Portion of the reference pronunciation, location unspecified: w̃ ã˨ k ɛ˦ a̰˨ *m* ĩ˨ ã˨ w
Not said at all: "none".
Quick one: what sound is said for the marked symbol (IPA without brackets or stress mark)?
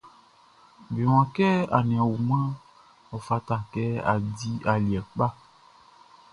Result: n